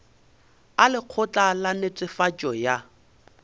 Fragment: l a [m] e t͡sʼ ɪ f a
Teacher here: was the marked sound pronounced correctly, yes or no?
no